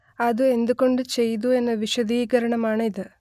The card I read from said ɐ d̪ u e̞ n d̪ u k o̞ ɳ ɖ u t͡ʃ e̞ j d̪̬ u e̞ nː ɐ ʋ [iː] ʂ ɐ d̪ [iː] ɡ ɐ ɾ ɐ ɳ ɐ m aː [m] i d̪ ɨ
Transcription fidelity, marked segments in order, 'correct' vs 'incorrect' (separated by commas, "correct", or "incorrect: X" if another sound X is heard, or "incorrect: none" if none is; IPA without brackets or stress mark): incorrect: i, correct, incorrect: ɳ